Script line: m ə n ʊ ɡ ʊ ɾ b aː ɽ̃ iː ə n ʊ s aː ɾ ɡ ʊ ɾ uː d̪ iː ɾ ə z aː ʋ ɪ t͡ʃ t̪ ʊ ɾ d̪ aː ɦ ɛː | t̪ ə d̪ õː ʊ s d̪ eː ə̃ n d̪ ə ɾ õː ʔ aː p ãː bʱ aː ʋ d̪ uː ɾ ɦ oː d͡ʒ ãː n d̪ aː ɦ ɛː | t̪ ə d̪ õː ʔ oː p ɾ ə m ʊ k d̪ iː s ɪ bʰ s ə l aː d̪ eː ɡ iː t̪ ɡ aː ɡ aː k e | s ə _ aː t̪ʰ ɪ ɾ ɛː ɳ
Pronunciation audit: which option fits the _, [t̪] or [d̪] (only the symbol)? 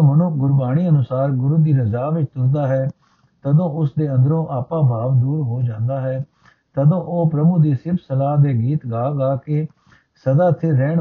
d̪